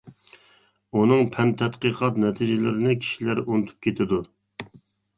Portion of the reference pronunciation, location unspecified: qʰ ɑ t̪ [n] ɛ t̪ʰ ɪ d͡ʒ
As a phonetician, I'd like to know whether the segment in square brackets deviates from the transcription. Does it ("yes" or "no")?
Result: no